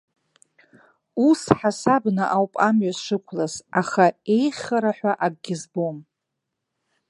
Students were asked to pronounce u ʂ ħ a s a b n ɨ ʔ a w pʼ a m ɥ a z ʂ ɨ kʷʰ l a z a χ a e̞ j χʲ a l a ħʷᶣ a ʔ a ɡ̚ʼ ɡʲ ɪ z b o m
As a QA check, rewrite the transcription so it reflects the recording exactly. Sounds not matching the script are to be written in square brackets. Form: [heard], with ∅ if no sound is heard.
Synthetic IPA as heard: u [s] ħ a s a b n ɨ ʔ a w pʼ a m ɥ a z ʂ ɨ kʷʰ l a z a χ a e̞ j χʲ a [ɾ] a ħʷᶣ a ʔ a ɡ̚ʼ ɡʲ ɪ z b o m